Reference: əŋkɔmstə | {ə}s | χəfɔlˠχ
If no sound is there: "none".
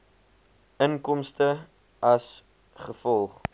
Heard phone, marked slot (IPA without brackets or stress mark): ɐ